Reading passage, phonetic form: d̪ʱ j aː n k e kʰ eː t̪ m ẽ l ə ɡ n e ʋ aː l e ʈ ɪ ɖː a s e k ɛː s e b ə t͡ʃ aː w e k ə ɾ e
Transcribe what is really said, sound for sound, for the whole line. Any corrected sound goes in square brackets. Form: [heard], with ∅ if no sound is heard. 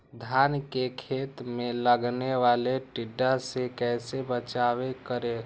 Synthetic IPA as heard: d̪ʱ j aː n k e kʰ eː t̪ m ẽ l ə ɡ n e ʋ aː l e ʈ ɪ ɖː a s e k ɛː s e b ə t͡ʃ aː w e k ə ɾ e